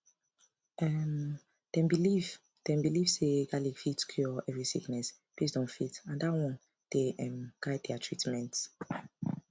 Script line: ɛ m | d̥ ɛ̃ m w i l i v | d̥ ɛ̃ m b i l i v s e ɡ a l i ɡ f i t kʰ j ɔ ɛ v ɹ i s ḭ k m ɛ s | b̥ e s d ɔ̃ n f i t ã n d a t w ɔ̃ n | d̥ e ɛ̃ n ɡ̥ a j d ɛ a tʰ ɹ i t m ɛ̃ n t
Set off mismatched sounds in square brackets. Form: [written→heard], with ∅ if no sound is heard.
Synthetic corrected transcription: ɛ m | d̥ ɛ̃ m [w→b] i l i v | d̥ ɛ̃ m b i l i v s e ɡ a l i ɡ f i t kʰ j ɔ ɛ v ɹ i s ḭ k [m→n] ɛ s | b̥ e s d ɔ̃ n f i t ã n d a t w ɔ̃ n | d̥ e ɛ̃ [n→m] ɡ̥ a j d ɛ a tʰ ɹ i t m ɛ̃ n t